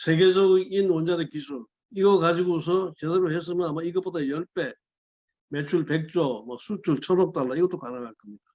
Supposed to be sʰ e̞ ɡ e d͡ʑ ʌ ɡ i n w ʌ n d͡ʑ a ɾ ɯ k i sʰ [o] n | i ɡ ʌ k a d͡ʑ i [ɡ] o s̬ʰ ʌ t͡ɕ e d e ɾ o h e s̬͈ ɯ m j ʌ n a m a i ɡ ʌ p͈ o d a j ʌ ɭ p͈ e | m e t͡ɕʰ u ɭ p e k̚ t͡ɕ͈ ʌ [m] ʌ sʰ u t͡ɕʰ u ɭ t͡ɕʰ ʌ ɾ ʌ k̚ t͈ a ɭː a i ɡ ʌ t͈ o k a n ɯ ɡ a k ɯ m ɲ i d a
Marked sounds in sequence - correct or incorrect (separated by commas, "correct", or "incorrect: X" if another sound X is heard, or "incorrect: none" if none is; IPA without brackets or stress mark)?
incorrect: u, correct, correct